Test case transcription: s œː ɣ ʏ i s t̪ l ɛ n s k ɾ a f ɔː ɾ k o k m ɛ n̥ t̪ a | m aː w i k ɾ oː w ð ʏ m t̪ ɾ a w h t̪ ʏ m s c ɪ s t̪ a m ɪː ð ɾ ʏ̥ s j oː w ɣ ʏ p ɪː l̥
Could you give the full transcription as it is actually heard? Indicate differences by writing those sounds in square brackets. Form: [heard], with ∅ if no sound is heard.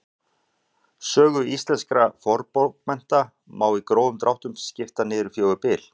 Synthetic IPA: s œː ɣ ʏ i s t̪ l ɛ n s k ɾ a f [ɔ] ɾ [p] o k m ɛ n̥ t̪ a | m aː w i k ɾ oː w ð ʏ m t̪ ɾ a w h t̪ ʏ m s c ɪ [f] t̪ a [n] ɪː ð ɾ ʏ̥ [f] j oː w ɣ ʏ p ɪː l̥